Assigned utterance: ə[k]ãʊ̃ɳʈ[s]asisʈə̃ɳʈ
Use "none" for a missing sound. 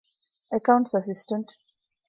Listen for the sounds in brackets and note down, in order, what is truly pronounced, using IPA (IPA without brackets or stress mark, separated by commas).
k, s